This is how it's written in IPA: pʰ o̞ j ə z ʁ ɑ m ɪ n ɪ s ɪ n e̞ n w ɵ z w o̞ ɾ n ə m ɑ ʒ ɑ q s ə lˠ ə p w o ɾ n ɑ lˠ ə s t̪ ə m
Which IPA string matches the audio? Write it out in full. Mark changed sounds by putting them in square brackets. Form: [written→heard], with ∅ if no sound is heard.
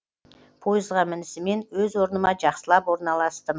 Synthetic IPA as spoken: pʰ o̞ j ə z ʁ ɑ m ɪ n ɪ s ɪ [n→m] e̞ n w ɵ z w o̞ ɾ n ə m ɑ ʒ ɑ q s ə lˠ [ə→ɑ] p w o ɾ n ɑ lˠ [ə→ɑ] s t̪ ə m